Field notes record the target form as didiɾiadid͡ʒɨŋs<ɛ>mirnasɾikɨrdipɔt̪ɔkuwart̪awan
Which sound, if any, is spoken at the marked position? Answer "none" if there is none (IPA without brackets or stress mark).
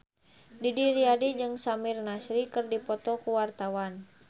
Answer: a